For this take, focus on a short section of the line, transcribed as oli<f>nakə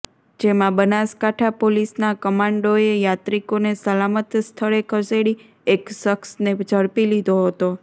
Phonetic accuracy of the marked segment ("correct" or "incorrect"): incorrect